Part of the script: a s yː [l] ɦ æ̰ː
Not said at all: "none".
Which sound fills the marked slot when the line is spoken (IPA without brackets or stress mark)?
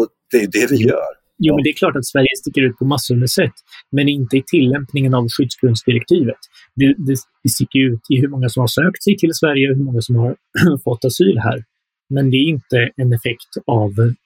l